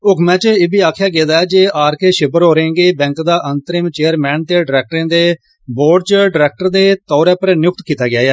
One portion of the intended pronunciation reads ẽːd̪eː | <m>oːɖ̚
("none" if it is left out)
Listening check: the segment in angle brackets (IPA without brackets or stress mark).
b